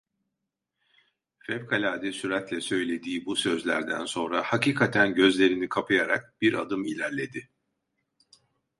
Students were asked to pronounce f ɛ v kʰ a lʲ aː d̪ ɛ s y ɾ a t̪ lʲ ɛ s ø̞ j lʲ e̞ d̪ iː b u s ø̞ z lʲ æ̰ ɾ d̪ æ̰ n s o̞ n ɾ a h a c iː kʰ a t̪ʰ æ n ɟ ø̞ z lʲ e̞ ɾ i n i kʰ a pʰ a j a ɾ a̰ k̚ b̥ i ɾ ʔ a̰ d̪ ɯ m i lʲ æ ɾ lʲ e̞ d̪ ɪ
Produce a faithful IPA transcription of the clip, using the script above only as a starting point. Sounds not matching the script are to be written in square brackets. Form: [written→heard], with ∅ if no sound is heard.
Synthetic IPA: f ɛ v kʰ a lʲ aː d̪ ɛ s y ɾ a t̪ lʲ ɛ s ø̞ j lʲ e̞ d̪ iː b u s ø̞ z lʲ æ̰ ɾ d̪ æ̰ n s o̞ n ɾ a h a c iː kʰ a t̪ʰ æ n ɟ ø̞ z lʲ e̞ ɾ i n i kʰ a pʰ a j a ɾ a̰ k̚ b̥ i ɾ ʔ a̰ d̪ ɯ m i lʲ æ ɾ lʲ e̞ d̪ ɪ